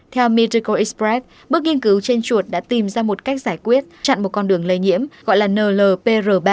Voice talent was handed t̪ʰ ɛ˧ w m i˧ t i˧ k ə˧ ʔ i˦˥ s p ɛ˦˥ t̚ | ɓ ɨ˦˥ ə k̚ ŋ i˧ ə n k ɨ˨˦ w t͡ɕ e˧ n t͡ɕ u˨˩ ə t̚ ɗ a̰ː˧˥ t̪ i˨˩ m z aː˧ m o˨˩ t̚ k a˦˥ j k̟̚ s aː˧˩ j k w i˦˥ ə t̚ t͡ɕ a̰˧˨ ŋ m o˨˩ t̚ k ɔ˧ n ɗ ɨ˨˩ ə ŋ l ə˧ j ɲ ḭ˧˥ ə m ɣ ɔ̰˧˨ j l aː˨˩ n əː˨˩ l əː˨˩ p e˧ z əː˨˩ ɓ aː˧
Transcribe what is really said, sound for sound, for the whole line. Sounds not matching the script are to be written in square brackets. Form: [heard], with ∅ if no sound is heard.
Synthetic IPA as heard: t̪ʰ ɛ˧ w m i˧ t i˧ k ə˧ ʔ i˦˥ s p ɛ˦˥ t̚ | ɓ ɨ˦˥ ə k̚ ŋ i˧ ə n k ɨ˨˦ w t͡ɕ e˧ n t͡ɕ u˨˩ ə t̚ ɗ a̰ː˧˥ t̪ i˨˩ m z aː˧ m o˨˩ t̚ k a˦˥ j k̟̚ [z] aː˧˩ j k w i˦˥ ə t̚ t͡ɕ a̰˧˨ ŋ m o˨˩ t̚ k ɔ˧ n ɗ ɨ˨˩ ə ŋ l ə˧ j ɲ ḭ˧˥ ə m ɣ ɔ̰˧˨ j l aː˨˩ n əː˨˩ l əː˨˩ p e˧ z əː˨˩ ɓ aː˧